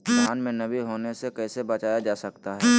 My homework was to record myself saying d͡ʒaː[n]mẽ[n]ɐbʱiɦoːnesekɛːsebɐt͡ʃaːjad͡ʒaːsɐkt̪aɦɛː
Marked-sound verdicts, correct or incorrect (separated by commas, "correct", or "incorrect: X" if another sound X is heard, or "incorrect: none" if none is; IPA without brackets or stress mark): correct, correct